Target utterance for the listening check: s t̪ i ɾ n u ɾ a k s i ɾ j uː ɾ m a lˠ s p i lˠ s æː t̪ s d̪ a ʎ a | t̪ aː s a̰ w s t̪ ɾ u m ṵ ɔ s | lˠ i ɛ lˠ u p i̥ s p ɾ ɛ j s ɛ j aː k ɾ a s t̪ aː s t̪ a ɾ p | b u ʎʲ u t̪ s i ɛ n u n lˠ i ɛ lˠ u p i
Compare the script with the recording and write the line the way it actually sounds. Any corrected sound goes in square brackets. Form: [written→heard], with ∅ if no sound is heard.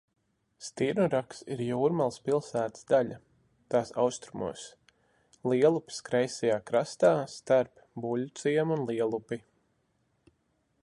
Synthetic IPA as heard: s t̪ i ɾ n u ɾ a k s i ɾ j uː ɾ m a lˠ s p i lˠ s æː t̪ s d̪ a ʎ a | t̪ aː s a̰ w s t̪ ɾ u m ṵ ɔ s | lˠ i ɛ lˠ u p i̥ s [p→k] ɾ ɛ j s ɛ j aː k ɾ a s t̪ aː s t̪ a ɾ p | b u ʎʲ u t̪ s i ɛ [n→m] u n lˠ i ɛ lˠ u p i